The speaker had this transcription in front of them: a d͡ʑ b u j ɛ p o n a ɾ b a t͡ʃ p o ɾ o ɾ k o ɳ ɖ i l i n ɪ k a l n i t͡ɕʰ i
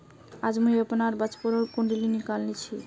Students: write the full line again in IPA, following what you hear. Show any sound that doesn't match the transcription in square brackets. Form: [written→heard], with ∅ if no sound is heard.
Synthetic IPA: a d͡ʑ [b→m] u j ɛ p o n a ɾ b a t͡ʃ p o ɾ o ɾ k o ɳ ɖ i l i n [ɪ→i] k a l n i t͡ɕʰ i